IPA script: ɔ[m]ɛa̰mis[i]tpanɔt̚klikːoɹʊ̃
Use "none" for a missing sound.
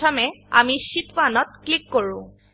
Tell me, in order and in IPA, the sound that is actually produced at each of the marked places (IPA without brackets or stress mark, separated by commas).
m, i